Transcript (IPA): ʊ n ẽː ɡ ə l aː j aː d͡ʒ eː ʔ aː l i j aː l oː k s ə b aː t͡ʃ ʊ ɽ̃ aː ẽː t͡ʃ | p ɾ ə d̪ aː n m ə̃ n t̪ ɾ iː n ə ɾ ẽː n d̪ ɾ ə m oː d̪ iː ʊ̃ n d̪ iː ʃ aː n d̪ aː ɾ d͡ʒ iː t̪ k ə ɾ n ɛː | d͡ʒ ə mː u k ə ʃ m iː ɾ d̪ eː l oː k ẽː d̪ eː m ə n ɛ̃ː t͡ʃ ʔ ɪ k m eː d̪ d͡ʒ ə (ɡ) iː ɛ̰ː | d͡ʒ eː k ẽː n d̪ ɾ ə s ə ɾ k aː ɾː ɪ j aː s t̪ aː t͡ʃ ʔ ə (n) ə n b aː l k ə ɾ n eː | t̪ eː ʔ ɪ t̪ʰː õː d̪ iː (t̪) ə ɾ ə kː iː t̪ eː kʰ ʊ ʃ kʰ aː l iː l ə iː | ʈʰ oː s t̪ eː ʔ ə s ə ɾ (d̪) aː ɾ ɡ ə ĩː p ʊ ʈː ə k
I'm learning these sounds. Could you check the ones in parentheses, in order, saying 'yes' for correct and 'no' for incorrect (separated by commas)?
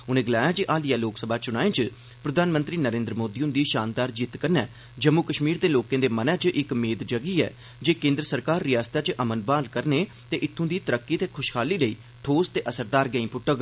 yes, no, yes, yes